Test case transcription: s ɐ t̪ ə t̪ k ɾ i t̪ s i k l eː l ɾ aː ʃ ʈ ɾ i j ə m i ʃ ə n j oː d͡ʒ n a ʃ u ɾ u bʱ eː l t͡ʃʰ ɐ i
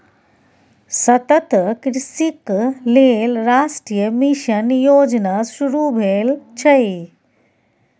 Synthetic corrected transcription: s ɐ t̪ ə t̪ k ɾ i s i k l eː l ɾ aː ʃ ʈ ɾ i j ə m i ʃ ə n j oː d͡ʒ n a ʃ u ɾ u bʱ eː l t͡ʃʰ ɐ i